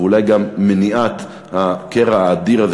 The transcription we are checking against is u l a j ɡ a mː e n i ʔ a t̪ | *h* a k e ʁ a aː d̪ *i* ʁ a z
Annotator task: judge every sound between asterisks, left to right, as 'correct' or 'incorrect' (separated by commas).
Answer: correct, correct